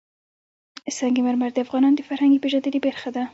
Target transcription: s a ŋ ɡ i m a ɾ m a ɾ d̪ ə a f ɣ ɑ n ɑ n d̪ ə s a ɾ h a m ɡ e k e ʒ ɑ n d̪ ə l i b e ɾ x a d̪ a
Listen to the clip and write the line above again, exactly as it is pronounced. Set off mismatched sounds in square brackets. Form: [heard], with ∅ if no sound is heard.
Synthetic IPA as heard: s a ŋ ɡ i m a ɾ m a ɾ d̪ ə a f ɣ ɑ n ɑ n d̪ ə [f] a ɾ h a [ŋ] ɡ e [p] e ʒ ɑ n d̪ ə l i b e ɾ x a d̪ a